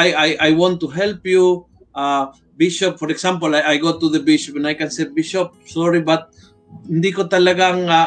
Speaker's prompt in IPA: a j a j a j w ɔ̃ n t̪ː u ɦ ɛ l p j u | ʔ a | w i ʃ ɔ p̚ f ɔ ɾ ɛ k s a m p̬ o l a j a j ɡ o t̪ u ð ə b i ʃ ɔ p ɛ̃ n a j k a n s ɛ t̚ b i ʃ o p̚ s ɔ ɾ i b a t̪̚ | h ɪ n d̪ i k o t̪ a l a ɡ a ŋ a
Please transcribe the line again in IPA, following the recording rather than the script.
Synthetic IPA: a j a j a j w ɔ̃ n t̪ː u ɦ ɛ l p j u | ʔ a | b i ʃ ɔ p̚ f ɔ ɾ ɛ k s a m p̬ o l a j a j ɡ o t̪ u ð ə b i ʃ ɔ p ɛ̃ n a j k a n s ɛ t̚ b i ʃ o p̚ s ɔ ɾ i b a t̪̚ | h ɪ n d̪ i k o t̪ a l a ɡ a ŋ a